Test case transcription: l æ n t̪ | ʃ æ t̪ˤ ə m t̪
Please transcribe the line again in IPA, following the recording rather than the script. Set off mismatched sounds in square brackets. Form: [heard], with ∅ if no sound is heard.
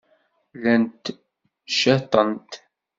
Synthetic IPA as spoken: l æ n t̪ | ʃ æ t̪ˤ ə [n] t̪